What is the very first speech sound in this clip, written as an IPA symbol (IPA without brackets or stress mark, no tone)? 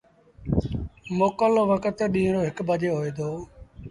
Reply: m